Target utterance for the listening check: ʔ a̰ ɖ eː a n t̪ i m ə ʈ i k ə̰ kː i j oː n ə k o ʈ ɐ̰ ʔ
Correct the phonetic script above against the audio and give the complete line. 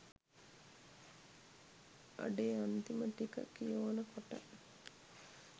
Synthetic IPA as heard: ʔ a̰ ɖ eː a n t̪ i m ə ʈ i k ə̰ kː i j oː n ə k o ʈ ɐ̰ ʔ